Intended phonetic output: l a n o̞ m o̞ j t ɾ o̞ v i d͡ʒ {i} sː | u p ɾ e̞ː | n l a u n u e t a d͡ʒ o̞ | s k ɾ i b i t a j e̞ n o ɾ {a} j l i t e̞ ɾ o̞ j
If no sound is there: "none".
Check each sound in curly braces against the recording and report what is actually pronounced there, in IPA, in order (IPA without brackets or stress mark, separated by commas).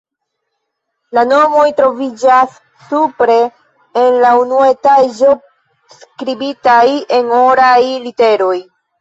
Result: a, a